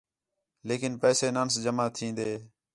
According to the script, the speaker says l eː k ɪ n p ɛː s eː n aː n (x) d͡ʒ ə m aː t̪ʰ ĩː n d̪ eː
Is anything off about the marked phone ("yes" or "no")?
yes